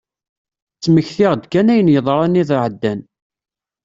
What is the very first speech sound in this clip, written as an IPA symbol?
t͡sː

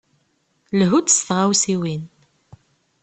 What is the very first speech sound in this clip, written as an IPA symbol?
l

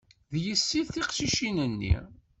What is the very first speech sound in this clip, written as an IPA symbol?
ð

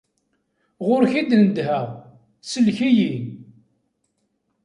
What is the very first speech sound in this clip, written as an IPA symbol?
ʁ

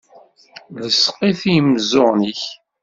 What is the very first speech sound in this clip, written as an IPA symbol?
l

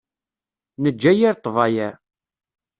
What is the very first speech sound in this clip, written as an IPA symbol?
n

